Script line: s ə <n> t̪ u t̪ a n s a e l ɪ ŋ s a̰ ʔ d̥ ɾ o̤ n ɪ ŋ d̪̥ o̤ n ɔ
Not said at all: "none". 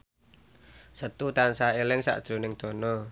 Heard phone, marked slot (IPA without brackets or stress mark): none